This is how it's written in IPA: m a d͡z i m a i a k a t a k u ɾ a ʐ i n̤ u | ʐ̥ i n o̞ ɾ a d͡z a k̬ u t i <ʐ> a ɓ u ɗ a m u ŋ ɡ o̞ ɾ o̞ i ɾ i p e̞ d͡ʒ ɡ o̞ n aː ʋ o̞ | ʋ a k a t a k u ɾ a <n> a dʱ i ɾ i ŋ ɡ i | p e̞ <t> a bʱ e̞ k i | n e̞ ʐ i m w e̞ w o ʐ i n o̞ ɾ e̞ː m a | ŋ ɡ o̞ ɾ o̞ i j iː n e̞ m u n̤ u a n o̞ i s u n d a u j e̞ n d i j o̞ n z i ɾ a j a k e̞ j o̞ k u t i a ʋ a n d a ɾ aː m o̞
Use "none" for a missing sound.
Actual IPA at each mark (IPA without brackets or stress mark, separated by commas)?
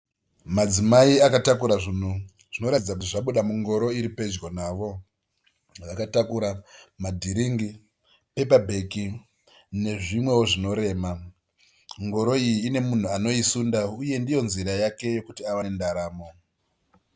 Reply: ʐ, m, p